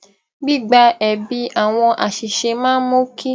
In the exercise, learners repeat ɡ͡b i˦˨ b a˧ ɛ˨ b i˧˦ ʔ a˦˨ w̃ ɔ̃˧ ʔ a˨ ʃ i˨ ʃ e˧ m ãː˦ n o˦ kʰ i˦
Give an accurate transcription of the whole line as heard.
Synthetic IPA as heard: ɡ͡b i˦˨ ɡ͡b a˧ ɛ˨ b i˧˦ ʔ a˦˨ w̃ ɔ̃˧ ʔ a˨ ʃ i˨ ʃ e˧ m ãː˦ m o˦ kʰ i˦